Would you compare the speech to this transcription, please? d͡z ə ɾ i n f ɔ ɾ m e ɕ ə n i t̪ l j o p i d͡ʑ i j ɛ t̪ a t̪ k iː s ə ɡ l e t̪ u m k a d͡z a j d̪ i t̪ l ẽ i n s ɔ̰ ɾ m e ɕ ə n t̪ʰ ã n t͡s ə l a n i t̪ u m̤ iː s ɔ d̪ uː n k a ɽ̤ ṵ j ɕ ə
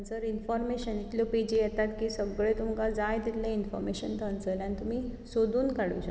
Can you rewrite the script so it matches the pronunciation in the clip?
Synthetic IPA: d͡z ə ɾ i n f ɔ ɾ m e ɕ ə n i t̪ l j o p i d͡ʑ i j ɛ t̪ a t̪ k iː s ə ɡ ɭ e t̪ u m k a d͡z a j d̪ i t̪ l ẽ i n f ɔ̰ ɾ m e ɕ ə n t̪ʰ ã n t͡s ə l a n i t̪ u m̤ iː s o d̪ uː n k a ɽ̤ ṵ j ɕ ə